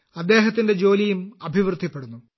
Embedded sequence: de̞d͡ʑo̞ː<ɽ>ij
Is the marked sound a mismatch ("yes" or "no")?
yes